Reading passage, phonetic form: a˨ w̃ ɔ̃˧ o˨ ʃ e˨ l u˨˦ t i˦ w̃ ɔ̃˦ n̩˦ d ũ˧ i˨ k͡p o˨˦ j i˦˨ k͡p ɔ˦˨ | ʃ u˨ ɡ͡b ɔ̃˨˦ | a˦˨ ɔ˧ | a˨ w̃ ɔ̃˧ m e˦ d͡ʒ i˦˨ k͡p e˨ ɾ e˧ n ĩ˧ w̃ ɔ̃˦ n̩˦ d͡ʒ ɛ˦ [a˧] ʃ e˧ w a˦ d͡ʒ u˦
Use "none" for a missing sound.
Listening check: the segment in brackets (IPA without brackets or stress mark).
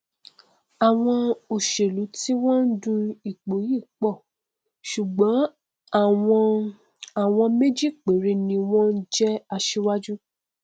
a˧